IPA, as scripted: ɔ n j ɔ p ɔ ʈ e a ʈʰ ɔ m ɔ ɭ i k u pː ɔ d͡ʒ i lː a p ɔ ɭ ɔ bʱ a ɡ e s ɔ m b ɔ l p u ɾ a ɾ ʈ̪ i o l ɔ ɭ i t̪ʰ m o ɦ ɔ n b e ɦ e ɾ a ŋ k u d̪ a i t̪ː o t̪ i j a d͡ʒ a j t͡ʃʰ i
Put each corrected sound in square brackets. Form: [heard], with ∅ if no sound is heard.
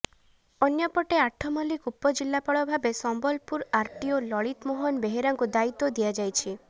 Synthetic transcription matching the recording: ɔ n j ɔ p ɔ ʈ e a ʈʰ ɔ m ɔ [l] i k u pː ɔ d͡ʒ i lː a p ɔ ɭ ɔ bʱ a [b] e s ɔ m b ɔ l p u ɾ a ɾ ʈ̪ i o l ɔ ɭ i [t̪] m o ɦ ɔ n b e ɦ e ɾ a ŋ k u d̪ a i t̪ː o [d̪] i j a d͡ʒ a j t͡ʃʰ i